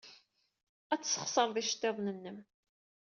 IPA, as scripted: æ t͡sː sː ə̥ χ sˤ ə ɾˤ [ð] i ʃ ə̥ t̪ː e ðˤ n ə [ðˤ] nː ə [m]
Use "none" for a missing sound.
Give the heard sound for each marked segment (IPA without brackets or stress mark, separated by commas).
ð, none, m